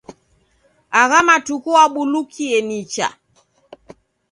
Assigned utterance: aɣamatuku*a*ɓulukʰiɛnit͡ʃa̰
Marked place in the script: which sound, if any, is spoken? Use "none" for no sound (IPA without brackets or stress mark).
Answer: a